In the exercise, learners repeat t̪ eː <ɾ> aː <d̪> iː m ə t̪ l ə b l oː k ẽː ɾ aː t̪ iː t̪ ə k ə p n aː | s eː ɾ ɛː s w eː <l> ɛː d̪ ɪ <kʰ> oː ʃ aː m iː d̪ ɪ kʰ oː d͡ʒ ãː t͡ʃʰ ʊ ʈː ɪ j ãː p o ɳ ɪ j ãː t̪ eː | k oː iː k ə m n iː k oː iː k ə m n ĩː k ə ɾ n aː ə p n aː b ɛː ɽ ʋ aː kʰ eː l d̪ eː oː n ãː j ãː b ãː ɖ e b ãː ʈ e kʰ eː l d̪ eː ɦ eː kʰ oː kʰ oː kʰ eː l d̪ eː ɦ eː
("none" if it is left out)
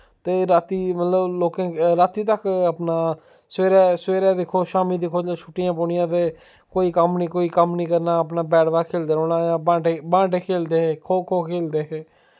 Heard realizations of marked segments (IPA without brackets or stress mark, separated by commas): ɾ, t̪, ɾ, kʰ